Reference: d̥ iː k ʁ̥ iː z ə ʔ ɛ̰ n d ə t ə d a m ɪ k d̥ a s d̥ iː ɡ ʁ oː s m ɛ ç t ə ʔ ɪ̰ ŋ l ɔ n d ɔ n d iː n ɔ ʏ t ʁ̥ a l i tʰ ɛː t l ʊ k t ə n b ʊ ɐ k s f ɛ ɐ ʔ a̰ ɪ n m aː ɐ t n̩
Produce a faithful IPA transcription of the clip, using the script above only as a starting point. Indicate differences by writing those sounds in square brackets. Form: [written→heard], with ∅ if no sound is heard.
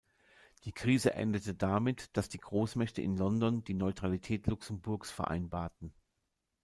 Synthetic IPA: d̥ iː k ʁ̥ iː z ə ʔ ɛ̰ n d ə t ə d a m ɪ [k→t] d̥ a s d̥ iː ɡ ʁ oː s m ɛ ç t ə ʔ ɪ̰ [ŋ→n] l ɔ n d ɔ n d iː n ɔ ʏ t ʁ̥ a l i tʰ ɛː t l ʊ k [t→s] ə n b ʊ ɐ k s f ɛ ɐ ʔ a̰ ɪ n [m→b] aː ɐ t n̩